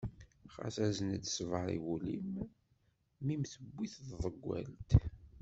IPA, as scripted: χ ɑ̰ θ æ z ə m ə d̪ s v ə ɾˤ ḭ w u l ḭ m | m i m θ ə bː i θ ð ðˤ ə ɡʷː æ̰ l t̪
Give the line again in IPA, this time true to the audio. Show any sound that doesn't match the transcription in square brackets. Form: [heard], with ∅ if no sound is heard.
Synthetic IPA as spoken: χ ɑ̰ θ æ z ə [n] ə d̪ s v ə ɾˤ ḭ w u l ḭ m | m i m θ ə bː i θ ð ðˤ ə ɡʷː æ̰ l t̪